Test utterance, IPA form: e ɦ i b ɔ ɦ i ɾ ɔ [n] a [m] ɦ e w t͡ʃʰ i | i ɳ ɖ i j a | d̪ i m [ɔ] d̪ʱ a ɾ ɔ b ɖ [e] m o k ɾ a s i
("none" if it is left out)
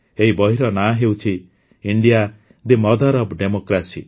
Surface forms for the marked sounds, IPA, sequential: n, none, ɔ, e

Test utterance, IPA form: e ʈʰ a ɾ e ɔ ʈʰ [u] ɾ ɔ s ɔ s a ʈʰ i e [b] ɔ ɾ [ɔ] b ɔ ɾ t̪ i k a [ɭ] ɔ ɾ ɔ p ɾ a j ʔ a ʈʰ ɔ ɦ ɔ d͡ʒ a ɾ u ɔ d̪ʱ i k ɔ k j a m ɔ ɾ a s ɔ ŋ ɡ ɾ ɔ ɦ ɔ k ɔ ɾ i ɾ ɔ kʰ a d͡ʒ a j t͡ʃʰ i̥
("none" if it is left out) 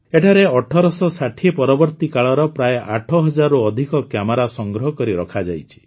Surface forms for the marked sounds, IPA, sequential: ɔ, p, ɔ, ɭ

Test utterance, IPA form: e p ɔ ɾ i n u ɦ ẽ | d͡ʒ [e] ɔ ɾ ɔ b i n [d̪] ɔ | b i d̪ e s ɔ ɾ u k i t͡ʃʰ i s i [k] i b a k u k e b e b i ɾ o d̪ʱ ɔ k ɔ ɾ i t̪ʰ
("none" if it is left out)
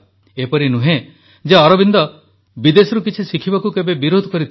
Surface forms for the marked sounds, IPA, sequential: e, d̪, kʰ

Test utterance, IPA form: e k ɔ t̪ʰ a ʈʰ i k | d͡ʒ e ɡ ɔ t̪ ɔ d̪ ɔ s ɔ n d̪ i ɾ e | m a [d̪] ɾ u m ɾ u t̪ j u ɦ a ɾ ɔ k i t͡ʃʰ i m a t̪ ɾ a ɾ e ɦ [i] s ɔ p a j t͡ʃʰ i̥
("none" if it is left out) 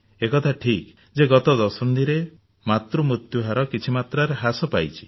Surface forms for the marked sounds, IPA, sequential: t̪, a

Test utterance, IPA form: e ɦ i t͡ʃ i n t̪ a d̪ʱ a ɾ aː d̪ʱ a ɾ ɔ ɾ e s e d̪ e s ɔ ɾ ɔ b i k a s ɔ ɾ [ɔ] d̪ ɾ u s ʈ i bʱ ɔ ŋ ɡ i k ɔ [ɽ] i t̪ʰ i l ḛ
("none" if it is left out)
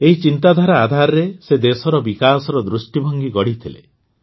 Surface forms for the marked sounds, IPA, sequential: ɔ, ɽ

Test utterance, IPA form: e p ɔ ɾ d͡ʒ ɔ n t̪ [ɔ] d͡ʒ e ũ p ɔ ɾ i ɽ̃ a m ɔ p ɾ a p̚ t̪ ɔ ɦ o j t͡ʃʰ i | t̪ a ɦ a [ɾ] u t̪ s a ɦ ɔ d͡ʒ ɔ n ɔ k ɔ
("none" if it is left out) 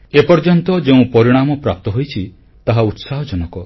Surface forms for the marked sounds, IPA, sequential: ɔ, none

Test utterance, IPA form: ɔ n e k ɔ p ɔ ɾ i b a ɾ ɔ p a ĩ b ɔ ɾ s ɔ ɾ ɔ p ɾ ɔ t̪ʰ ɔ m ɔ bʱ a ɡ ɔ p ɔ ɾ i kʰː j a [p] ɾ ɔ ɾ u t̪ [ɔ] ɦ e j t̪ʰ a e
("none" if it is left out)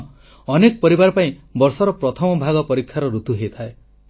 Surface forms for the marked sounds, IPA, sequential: none, u

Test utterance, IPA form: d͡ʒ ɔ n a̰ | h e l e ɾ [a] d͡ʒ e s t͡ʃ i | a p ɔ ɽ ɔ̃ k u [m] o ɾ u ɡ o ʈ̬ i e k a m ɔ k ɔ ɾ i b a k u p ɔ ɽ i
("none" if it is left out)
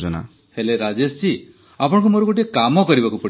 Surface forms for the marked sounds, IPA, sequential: a, m

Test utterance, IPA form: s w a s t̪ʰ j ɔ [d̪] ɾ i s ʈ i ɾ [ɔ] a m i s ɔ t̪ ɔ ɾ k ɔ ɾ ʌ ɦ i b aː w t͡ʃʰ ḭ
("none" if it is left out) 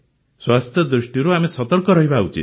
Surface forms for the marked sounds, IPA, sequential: d̪, u

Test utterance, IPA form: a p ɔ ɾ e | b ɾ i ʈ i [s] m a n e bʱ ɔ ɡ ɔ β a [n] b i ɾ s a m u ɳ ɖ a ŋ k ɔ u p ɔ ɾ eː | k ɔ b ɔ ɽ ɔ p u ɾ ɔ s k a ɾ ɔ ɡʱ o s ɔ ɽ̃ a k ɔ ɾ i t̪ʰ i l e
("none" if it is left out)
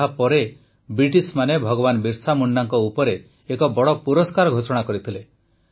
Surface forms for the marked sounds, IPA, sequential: s, n

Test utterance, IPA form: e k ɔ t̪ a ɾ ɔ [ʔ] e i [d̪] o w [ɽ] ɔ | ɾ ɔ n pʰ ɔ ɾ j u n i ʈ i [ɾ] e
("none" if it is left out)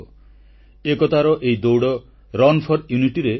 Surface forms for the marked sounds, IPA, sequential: ʔ, d̪, ɽ, ɾ

